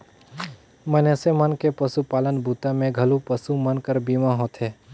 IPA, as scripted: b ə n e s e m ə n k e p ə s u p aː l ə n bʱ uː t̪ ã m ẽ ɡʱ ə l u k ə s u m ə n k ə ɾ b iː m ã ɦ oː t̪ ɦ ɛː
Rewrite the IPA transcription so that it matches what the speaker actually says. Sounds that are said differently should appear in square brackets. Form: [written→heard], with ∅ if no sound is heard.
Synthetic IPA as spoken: [b→m] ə n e s e m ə n k e p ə s u p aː l ə n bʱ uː t̪ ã m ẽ ɡʱ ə l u [k→p] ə s u m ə n k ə ɾ b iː m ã ɦ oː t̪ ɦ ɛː